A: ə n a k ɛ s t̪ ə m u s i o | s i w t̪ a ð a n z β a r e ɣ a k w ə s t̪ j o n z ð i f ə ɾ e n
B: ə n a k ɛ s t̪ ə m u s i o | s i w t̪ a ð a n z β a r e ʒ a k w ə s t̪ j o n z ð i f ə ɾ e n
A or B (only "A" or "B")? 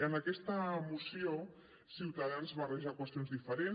B